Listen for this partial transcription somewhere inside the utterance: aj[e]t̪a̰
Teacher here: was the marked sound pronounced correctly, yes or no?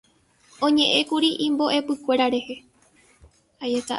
yes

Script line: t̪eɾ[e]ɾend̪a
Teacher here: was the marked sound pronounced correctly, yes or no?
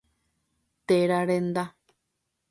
no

